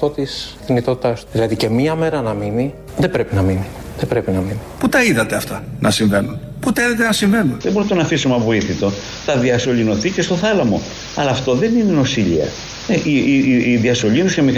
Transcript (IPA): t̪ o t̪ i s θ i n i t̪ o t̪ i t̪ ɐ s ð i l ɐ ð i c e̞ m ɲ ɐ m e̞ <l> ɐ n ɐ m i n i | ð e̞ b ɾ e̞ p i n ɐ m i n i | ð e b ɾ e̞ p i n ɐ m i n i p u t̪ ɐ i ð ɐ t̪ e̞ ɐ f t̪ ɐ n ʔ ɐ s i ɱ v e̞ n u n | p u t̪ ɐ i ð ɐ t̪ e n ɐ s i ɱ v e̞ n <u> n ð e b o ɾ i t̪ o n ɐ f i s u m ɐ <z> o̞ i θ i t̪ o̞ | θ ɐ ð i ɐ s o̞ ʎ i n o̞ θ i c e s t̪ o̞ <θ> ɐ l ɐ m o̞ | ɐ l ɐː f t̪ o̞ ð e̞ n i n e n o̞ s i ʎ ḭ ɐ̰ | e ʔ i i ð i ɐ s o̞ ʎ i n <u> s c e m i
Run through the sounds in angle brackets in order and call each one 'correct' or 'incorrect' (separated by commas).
incorrect, correct, incorrect, correct, correct